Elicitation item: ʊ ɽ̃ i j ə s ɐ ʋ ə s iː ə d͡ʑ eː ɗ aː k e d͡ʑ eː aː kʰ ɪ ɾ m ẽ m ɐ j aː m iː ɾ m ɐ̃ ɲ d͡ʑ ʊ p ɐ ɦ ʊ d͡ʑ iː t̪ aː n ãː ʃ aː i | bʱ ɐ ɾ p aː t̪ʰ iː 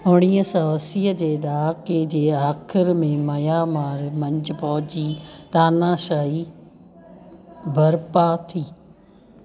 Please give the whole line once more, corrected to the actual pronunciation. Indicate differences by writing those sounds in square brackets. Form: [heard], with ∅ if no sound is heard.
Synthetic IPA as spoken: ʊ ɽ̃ i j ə s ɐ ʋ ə s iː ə d͡ʑ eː ɗ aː k e d͡ʑ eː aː kʰ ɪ ɾ m ẽ m ɐ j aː m [aː] ɾ m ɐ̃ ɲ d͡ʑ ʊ p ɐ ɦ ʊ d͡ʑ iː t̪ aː n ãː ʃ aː i | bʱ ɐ ɾ p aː t̪ʰ iː